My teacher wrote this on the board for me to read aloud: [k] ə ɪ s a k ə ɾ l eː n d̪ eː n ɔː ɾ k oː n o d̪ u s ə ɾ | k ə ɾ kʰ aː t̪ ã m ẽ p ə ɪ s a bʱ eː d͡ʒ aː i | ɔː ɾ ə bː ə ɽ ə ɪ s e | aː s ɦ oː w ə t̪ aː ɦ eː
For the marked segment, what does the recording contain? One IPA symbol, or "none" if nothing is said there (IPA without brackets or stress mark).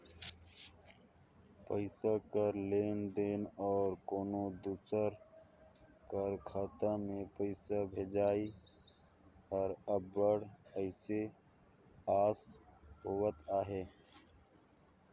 p